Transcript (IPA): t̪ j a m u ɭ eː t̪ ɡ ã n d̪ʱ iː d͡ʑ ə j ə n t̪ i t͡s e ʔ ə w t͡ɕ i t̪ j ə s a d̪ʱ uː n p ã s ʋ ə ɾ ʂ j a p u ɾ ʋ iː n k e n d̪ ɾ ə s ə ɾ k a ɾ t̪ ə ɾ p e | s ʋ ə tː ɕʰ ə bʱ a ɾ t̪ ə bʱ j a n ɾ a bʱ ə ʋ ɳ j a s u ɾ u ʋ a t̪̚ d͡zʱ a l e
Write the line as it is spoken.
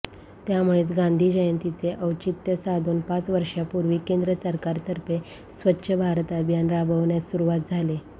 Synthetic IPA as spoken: t̪ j a m u ɭ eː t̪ ɡ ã n d̪ʱ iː d͡ʑ ə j ə n t̪ i t͡s e ʔ ə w t͡ɕ i t̪ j ə s a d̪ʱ uː n p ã t͡s ʋ ə ɾ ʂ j a p u ɾ ʋ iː k e n d̪ ɾ ə s ə ɾ k a ɾ t̪ ə ɾ p e | s ʋ ə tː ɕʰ ə bʱ a ɾ t̪ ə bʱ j a n ɾ a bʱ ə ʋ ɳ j a s u ɾ u ʋ a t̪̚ d͡zʱ a l e